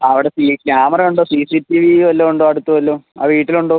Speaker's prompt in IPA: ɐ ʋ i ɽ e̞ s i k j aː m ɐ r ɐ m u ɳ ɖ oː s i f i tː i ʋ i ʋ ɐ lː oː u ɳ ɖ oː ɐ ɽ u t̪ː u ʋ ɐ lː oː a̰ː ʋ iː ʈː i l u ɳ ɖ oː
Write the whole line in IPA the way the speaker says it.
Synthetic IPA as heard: ɐ ʋ i ɽ e̞ s i k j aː m ɐ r ɐ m u ɳ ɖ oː s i s i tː i ʋ i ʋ ɐ lː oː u ɳ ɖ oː ɐ ɽ u t̪ː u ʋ ɐ lː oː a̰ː ʋ iː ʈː i l u ɳ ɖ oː